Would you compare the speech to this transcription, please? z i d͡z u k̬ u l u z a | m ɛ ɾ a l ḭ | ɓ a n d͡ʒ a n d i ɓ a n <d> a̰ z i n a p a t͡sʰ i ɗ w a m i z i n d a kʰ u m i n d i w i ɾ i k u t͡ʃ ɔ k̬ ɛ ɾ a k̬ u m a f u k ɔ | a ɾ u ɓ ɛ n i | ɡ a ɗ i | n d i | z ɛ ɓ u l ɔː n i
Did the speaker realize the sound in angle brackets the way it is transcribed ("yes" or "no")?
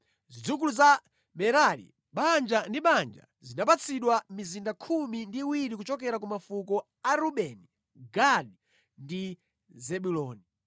no